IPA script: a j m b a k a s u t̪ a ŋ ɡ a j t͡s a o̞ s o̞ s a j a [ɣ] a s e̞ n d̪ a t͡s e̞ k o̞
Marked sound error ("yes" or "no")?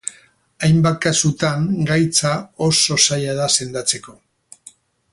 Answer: yes